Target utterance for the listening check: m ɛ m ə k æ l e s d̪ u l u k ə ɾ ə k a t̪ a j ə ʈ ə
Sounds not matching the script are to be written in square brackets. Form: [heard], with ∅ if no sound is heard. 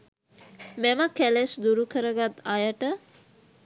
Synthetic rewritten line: m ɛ m ə k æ l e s d̪ u [ɾ] u k ə ɾ ə [ɡ] a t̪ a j ə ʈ ə

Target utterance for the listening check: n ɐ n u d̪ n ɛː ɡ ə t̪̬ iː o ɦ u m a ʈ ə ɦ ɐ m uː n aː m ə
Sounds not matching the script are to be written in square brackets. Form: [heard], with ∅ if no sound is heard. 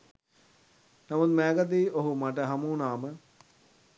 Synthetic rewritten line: n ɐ [m] u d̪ [m] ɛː ɡ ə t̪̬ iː o ɦ u m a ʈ ə ɦ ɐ m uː n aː m ə

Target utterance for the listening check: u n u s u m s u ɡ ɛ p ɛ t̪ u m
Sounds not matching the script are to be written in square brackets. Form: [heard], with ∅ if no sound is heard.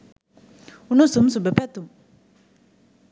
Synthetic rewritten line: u n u s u m s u [b] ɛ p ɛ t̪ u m

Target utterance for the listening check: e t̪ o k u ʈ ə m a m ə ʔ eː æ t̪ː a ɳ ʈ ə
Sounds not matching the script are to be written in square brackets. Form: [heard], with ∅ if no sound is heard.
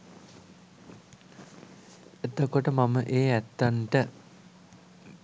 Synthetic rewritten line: e t̪ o k [o] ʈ ə m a m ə ʔ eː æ t̪ː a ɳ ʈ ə

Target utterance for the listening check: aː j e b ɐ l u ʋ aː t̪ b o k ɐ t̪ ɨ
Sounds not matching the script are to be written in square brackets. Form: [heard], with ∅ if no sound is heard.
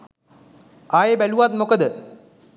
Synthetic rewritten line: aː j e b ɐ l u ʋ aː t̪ [m] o k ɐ [d̪] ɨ

